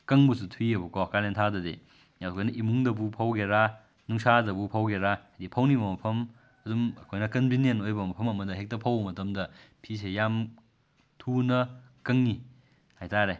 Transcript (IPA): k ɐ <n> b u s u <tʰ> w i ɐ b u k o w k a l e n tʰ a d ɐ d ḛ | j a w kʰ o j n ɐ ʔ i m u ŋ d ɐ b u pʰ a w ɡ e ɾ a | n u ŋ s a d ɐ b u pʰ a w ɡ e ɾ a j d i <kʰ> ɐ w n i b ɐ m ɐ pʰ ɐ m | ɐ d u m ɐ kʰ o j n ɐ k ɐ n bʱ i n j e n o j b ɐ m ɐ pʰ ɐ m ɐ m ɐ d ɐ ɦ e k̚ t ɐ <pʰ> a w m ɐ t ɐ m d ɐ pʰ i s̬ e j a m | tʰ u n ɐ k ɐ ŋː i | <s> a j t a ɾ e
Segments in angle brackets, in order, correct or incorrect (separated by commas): incorrect, correct, incorrect, correct, incorrect